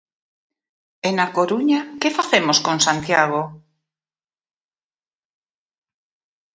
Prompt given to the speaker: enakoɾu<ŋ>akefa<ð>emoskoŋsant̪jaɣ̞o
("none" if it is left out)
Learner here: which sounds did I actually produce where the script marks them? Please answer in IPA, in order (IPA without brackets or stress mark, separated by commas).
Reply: ɲ, θ